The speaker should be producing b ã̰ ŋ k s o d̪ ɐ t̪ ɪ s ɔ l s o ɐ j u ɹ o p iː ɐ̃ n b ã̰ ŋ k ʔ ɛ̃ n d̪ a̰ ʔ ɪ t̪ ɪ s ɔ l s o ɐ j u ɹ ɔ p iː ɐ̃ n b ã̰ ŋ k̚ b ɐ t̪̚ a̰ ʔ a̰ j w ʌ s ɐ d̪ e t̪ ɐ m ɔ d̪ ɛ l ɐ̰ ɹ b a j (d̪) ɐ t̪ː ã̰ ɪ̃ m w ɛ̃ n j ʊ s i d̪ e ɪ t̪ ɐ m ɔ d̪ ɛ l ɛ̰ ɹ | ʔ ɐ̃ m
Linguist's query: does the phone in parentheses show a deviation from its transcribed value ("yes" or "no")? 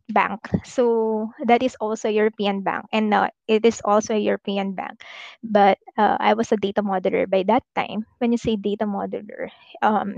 no